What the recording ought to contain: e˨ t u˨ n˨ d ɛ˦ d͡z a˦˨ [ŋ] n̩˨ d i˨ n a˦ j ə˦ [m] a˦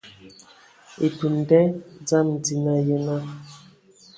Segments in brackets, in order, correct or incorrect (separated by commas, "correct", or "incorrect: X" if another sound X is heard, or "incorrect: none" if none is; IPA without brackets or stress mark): incorrect: m, incorrect: n